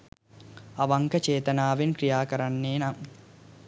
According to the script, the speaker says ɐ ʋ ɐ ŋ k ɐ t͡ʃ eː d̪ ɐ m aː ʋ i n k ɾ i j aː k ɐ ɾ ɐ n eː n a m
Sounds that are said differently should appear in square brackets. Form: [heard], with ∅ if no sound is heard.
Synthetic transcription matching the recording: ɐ ʋ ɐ ŋ k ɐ t͡ʃ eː [t̪] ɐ [n] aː ʋ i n k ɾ i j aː k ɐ ɾ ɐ [nː] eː n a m